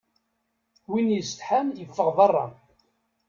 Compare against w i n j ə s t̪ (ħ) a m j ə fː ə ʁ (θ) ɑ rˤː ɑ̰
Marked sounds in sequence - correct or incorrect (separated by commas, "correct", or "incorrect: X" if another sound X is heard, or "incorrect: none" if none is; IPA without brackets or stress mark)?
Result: correct, incorrect: ð